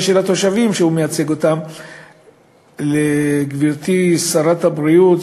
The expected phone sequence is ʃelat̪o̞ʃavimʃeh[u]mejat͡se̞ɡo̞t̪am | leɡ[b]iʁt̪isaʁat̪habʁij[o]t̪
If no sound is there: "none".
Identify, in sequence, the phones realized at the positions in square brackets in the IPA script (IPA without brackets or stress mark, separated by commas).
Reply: u, v, u